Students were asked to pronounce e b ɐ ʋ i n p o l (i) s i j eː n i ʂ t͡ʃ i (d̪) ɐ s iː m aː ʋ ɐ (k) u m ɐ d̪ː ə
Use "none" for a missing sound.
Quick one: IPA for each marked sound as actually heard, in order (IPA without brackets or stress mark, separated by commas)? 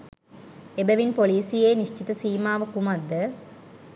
iː, t̪, k